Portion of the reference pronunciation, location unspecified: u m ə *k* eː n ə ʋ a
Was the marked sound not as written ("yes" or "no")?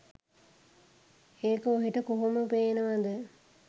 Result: yes